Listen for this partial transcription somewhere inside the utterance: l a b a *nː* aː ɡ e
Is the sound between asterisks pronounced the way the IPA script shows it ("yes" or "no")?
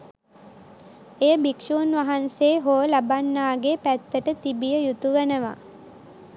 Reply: yes